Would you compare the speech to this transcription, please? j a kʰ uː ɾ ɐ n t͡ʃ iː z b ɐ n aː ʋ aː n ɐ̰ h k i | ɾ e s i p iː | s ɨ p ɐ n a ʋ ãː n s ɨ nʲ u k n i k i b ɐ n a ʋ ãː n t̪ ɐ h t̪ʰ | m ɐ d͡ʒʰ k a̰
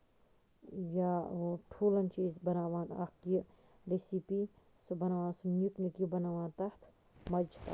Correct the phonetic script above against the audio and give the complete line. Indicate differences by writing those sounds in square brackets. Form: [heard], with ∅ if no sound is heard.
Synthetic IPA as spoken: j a [ʈʰ] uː [l] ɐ n t͡ʃ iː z b ɐ n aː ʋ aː n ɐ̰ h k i | ɾ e s i p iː | s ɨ [b] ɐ n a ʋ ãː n s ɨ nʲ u k n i k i b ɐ n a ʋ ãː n t̪ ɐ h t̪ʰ | m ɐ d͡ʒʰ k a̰